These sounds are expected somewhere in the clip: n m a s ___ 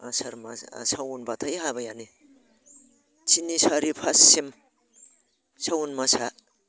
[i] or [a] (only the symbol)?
a